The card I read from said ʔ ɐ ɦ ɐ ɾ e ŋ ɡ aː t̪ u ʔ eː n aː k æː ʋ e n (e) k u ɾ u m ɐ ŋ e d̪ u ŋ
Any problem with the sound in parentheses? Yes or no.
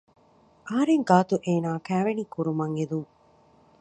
yes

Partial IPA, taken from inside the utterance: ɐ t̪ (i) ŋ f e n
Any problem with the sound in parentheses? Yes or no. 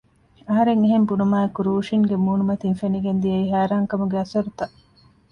no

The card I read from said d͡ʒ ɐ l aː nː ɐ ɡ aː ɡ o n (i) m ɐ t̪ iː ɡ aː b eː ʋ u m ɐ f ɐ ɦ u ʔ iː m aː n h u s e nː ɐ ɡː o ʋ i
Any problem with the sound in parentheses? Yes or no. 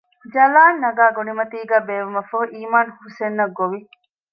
no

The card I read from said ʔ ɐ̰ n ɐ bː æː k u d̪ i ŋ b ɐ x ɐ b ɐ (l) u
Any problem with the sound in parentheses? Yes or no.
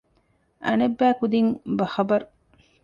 yes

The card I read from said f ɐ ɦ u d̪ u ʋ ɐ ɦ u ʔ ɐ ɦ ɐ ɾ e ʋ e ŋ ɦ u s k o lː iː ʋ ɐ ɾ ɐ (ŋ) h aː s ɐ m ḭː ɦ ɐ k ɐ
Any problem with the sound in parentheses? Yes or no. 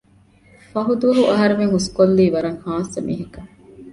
no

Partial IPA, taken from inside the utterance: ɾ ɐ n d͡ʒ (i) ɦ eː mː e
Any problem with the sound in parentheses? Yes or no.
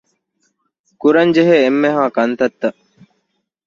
yes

